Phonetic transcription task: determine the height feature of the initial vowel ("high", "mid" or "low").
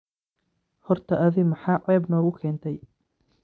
mid